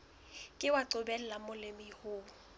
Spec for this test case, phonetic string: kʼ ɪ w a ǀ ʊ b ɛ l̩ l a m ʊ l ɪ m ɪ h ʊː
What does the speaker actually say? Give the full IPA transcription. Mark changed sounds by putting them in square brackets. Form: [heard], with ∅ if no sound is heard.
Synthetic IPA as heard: kʼ ɪ w a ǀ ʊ b ɛ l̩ l a m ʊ l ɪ m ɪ h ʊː